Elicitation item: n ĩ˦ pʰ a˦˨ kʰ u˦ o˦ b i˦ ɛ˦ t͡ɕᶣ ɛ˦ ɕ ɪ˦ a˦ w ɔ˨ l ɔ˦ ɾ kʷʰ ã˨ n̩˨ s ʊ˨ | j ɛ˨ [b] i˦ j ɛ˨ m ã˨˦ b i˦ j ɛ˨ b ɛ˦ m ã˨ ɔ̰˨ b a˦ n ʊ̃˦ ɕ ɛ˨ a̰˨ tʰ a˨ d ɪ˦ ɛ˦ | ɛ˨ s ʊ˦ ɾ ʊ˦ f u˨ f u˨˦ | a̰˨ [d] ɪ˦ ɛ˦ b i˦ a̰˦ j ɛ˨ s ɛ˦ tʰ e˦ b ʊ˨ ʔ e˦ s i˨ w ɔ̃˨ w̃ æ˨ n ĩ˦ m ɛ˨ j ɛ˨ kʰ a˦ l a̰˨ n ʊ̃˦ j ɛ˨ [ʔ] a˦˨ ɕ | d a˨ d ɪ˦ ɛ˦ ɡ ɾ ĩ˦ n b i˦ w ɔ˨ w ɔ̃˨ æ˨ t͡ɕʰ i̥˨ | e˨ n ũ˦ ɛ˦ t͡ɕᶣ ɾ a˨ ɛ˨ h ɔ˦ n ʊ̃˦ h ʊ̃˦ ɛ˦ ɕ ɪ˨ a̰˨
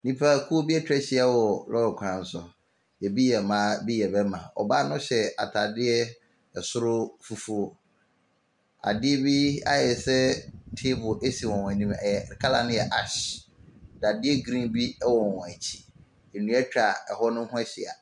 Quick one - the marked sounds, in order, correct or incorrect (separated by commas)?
correct, correct, correct